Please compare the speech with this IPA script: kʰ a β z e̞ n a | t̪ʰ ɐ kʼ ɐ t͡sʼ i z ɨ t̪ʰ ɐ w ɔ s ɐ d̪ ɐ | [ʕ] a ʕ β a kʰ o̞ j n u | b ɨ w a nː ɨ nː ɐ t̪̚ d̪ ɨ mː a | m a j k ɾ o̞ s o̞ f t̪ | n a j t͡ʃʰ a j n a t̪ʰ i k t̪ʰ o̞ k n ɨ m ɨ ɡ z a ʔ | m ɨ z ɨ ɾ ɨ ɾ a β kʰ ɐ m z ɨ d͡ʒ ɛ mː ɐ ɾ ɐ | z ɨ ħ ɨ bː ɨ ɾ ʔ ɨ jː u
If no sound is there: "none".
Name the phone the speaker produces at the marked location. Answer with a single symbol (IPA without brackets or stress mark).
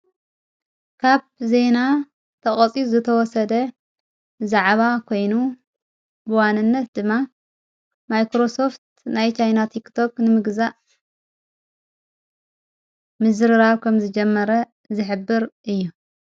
z